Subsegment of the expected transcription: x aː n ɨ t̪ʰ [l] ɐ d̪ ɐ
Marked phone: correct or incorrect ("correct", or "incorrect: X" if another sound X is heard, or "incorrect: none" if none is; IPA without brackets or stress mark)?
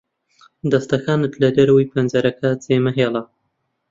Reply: correct